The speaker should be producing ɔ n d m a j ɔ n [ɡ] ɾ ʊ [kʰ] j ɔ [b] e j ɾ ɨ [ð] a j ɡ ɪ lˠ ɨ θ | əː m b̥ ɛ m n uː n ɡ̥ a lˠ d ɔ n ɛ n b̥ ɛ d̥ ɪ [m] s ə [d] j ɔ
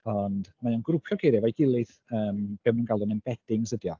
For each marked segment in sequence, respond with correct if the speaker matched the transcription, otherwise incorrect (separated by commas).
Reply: correct, incorrect, incorrect, incorrect, incorrect, correct